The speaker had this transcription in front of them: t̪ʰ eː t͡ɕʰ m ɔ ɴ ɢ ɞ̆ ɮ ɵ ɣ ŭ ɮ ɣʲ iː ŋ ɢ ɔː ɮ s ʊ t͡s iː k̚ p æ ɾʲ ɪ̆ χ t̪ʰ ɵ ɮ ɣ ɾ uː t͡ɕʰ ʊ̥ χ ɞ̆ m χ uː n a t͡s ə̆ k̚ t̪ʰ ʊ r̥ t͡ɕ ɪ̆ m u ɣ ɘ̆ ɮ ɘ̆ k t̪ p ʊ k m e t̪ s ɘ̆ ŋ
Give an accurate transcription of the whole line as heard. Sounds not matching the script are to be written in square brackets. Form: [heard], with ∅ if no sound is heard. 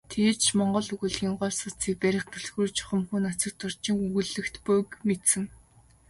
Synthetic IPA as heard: t̪ʰ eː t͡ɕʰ m ɔ ɴ ɢ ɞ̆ ɮ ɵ ɣ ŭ ɮ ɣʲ iː ŋ ɢ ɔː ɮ s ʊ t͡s iː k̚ p æ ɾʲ ɪ̆ χ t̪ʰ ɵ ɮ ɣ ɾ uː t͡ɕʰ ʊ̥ χ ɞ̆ m [x] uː n a t͡s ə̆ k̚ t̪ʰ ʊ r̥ t͡ɕ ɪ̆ [ŋ] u ɣ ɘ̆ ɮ ɘ̆ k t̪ p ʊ k m e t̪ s ɘ̆ ŋ